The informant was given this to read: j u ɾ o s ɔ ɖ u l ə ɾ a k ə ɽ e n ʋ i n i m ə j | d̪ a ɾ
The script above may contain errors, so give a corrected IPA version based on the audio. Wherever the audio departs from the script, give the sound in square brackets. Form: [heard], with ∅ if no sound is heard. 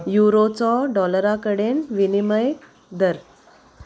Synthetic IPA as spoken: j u ɾ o [t͡s] ɔ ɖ [ɔ] l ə ɾ a k ə ɽ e n ʋ i n i m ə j | d̪ [ə] ɾ